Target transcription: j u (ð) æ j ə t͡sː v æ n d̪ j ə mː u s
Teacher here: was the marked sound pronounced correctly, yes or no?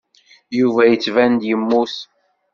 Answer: no